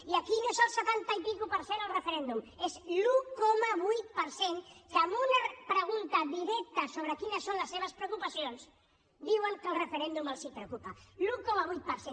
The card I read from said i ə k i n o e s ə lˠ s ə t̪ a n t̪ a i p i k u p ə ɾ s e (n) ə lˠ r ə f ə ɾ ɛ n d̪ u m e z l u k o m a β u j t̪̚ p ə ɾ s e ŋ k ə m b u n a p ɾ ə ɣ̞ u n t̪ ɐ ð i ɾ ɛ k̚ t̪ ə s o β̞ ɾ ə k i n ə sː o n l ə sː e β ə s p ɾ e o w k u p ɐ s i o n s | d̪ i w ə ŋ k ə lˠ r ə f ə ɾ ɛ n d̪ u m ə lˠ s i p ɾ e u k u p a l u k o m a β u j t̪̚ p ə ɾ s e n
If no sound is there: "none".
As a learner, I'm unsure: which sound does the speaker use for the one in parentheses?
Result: n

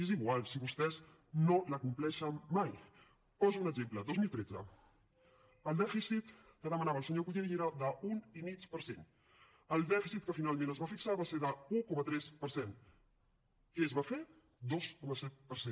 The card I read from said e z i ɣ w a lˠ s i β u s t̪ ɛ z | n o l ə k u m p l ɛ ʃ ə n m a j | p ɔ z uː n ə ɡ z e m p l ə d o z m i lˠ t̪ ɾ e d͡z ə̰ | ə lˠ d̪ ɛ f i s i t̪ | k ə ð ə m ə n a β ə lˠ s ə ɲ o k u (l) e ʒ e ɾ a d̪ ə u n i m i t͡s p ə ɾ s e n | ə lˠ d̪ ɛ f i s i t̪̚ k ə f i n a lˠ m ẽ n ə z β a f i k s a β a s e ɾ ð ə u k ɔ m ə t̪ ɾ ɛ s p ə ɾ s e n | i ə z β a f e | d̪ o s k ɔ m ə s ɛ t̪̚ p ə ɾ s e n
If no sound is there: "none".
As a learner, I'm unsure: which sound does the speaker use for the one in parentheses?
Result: ʎ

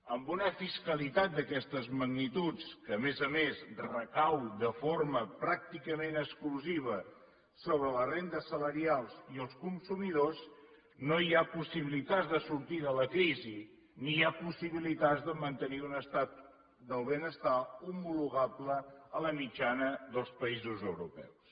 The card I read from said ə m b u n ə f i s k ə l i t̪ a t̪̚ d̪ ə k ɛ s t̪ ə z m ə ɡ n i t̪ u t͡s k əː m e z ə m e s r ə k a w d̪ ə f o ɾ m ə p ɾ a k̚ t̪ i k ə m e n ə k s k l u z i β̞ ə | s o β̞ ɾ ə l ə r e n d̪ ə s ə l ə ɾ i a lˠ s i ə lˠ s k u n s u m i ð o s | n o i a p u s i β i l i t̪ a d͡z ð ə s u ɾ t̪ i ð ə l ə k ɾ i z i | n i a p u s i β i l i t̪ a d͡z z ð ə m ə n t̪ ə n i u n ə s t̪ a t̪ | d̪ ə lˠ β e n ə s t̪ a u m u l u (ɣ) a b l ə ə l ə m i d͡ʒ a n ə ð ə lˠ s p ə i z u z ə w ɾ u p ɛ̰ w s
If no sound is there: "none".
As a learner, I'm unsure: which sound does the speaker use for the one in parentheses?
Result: ɣ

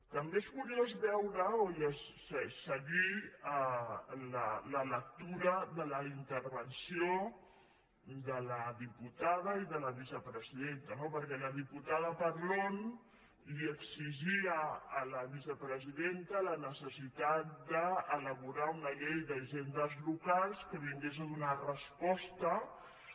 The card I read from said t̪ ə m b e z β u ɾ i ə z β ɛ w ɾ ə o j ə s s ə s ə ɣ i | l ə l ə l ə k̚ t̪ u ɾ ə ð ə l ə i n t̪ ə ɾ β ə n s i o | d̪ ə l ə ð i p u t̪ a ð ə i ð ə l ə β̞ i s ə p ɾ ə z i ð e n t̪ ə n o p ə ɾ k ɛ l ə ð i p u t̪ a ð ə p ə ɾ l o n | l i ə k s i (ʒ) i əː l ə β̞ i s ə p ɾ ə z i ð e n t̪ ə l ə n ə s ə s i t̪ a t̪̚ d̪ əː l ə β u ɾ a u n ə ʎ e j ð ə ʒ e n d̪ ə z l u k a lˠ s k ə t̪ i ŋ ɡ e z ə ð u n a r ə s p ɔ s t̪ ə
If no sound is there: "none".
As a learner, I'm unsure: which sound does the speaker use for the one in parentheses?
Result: ʒ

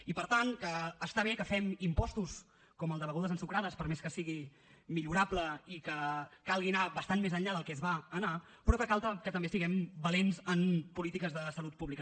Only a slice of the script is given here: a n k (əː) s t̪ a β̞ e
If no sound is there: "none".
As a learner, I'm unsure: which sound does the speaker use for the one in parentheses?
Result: əː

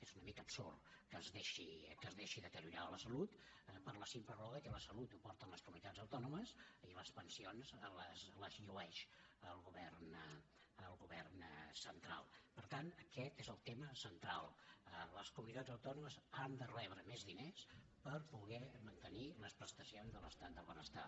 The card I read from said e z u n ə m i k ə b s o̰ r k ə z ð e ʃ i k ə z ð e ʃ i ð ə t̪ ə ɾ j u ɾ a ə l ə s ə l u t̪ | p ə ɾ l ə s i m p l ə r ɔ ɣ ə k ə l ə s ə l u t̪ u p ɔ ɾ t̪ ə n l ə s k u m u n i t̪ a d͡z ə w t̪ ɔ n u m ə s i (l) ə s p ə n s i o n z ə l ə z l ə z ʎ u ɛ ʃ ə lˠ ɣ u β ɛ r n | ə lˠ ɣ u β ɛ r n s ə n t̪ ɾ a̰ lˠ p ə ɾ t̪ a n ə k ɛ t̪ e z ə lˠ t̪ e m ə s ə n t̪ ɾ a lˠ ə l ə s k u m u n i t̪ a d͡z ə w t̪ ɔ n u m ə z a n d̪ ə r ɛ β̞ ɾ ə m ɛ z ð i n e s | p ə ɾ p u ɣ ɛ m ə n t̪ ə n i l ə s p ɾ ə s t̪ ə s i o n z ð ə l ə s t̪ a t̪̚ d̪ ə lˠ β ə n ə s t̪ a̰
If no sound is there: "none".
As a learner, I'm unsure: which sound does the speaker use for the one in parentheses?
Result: l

